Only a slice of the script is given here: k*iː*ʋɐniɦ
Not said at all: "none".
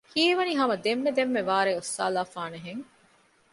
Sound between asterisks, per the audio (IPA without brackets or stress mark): iː